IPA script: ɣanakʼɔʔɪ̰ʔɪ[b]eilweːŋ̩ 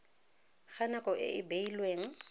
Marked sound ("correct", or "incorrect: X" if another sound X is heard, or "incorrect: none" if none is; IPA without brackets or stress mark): correct